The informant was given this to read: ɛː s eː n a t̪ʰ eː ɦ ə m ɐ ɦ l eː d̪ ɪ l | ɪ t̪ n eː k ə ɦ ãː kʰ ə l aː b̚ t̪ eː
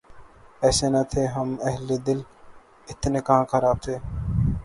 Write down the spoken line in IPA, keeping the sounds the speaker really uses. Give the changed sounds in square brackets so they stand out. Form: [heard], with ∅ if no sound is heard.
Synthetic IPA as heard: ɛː s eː n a t̪ʰ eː ɦ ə m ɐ ɦ l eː d̪ ɪ l | ɪ t̪ n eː k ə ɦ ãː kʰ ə [ɾ] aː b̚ [t̪ʰ] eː

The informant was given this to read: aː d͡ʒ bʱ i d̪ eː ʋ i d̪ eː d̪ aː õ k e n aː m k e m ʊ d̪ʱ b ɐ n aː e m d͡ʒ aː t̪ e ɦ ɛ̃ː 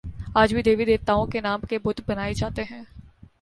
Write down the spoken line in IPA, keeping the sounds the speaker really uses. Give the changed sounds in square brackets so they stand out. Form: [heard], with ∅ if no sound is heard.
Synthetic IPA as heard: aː d͡ʒ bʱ i d̪ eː ʋ i d̪ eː [t̪] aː õ k e n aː m k e [b] ʊ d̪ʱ b ɐ n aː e [∅] d͡ʒ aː t̪ e ɦ ɛ̃ː

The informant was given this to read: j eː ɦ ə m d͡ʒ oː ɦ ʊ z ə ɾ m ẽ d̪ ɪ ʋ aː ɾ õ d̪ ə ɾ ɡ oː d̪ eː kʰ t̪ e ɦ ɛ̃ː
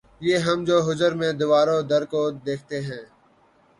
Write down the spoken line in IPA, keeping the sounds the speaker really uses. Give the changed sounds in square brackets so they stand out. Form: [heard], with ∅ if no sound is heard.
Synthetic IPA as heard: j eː ɦ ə m d͡ʒ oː ɦ ʊ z ə ɾ m ẽ d̪ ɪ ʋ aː ɾ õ d̪ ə ɾ [k] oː d̪ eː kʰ t̪ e ɦ ɛ̃ː

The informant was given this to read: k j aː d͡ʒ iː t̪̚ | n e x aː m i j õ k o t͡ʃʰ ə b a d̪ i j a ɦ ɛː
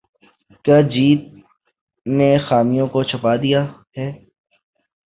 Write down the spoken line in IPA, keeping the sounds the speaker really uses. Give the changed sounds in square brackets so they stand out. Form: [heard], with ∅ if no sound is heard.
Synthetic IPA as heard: k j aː d͡ʒ iː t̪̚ | n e x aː m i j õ k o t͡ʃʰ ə [p] a d̪ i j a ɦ ɛː

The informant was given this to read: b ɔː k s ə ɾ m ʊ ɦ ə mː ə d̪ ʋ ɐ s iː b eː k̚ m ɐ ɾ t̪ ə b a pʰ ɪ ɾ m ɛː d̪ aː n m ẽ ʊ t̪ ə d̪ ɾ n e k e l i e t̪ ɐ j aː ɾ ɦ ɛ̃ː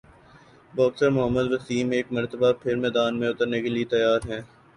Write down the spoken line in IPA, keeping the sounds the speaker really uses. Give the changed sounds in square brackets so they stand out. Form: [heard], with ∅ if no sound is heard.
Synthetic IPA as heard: b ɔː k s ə ɾ m ʊ ɦ ə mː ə d̪ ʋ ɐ s iː [m] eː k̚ m ɐ ɾ t̪ ə b a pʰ ɪ ɾ m ɛː d̪ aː n m ẽ ʊ t̪ ə [∅] ɾ n e k e l i e t̪ ɐ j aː ɾ ɦ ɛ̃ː

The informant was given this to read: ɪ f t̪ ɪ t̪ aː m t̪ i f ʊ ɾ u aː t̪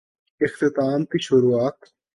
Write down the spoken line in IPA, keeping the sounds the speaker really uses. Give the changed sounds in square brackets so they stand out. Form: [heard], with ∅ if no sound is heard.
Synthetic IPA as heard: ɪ [x] t̪ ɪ t̪ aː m t̪ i [ʃ] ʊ ɾ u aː t̪

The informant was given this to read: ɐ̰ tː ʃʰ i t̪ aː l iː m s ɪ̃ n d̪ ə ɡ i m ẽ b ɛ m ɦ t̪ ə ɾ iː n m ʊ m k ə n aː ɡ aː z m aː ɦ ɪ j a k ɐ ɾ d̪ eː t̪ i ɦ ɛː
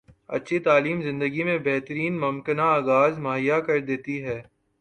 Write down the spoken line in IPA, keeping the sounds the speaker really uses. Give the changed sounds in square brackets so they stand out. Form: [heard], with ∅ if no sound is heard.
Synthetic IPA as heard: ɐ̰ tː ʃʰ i t̪ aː l iː m [z] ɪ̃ n d̪ ə ɡ i m ẽ b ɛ [∅] ɦ t̪ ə ɾ iː n m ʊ m k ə n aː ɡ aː z m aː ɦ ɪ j a k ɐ ɾ d̪ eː t̪ i ɦ ɛː

